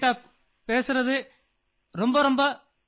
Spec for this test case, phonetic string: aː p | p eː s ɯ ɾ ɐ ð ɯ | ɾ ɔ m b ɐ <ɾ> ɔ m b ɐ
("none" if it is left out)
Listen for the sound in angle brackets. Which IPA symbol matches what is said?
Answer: ɾ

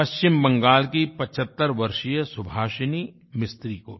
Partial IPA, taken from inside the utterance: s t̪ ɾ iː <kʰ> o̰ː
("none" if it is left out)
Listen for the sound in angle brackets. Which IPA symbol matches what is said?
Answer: k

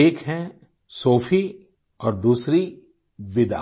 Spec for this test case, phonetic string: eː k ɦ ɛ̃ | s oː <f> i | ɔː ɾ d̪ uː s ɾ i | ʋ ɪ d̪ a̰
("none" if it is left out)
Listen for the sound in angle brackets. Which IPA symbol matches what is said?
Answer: f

